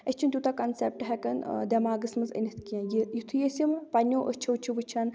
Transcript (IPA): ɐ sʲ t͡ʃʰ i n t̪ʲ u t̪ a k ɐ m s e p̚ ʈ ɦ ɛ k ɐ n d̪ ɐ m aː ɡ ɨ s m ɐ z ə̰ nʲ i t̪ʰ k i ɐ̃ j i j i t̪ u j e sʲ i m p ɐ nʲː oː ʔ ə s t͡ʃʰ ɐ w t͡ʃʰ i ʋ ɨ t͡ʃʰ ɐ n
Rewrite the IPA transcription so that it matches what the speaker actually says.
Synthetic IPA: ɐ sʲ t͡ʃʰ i n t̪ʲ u t̪ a k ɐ n s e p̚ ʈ ɦ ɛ k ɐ n d̪ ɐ m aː ɡ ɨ s m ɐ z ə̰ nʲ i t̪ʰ k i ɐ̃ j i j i t̪ʰ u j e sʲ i m p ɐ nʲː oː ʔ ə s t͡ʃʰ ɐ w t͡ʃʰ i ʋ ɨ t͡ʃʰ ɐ n